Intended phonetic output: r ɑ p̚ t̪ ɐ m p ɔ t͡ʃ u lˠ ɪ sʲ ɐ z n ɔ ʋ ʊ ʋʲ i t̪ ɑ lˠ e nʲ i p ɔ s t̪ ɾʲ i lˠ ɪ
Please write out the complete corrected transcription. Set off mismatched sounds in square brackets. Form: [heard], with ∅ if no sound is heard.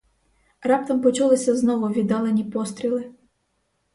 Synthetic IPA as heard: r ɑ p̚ t̪ ɐ m p ɔ t͡ʃ u lˠ ɪ sʲ ɐ z n ɔ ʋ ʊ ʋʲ i [d̪] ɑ lˠ e nʲ i p ɔ s t̪ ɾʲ i lˠ ɪ